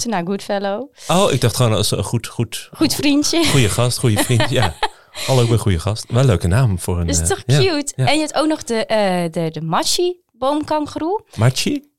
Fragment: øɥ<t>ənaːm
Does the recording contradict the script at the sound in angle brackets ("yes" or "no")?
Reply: yes